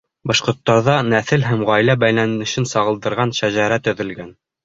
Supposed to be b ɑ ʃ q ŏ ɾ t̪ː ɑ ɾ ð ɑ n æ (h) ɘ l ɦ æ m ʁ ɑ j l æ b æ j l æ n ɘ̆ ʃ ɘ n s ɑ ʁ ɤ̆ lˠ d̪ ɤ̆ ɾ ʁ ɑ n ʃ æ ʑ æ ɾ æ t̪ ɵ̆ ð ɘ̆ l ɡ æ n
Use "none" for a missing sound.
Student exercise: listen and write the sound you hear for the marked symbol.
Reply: θ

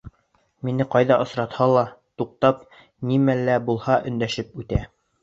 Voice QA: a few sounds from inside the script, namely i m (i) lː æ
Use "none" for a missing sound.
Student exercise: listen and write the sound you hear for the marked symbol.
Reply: æ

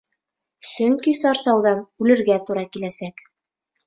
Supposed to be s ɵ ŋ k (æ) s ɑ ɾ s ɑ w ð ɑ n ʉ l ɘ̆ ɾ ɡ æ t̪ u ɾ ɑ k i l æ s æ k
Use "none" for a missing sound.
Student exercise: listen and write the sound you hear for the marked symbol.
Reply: i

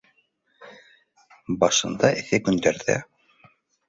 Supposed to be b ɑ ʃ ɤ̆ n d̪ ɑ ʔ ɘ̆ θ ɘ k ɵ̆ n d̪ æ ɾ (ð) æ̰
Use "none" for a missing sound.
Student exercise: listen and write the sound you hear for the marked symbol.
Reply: ð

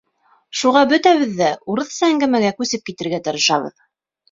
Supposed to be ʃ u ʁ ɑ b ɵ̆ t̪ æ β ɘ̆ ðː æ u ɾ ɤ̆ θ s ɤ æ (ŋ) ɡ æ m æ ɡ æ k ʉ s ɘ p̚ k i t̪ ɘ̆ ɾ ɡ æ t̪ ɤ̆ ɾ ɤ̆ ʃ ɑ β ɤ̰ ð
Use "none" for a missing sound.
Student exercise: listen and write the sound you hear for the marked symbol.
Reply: ŋ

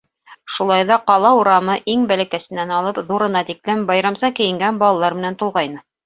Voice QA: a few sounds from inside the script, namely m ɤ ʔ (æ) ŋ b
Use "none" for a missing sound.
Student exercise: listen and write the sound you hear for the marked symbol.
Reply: i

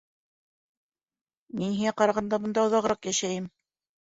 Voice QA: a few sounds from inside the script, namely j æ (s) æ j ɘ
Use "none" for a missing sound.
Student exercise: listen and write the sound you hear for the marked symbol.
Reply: ʃ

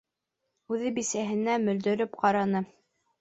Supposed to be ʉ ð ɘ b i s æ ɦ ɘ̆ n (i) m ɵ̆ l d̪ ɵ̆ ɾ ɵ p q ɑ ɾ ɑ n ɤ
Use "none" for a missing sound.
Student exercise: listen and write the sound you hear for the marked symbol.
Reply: æ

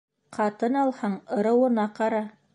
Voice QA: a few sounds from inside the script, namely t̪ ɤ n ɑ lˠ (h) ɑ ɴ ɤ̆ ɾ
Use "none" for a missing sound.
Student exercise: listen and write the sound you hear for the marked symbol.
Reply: h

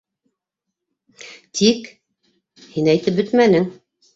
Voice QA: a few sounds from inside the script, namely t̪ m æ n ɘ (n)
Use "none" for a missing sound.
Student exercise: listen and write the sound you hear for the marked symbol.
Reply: ŋ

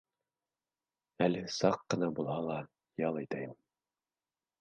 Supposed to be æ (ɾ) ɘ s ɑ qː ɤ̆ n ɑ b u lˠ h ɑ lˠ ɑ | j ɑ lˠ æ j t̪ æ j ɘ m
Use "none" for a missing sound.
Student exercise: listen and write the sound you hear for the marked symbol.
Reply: l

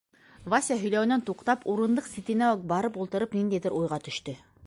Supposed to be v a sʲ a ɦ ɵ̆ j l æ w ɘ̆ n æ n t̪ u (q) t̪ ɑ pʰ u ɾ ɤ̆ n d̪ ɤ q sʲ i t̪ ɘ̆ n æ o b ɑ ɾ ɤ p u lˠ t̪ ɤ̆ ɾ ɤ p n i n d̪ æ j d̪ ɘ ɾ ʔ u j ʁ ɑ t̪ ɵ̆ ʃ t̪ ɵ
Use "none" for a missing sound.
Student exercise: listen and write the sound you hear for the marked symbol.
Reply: q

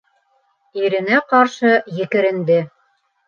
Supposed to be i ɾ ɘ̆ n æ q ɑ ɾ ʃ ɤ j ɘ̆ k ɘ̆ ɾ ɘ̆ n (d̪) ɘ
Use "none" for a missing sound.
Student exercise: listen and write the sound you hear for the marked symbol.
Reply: d̪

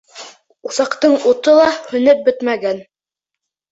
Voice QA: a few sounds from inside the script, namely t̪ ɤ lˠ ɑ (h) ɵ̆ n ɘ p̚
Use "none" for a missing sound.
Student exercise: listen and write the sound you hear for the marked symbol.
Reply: h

